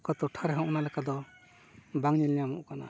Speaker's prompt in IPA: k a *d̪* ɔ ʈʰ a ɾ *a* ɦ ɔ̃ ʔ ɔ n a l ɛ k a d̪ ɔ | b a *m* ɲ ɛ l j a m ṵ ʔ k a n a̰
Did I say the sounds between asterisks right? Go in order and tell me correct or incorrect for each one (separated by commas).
incorrect, incorrect, incorrect